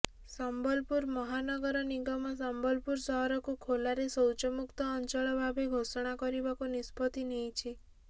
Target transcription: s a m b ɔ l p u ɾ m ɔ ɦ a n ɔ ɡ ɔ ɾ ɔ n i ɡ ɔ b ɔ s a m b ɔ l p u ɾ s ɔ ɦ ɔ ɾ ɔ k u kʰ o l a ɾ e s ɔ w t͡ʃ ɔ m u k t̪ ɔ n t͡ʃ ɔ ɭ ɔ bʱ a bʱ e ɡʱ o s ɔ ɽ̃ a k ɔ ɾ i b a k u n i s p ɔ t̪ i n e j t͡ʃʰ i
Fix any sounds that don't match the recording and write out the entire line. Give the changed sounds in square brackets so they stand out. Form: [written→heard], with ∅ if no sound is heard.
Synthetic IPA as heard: s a m b ɔ l p u ɾ m ɔ ɦ a n ɔ ɡ ɔ ɾ ɔ n i ɡ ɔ [b→m] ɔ s a m b ɔ l p u ɾ s ɔ ɦ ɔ ɾ ɔ k u kʰ o l a ɾ e s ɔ w t͡ʃ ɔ m u k t̪ [ɔ→ɔː] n t͡ʃ ɔ ɭ ɔ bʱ a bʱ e ɡʱ o s ɔ ɽ̃ a k ɔ ɾ i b a k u n i s p ɔ t̪ i n e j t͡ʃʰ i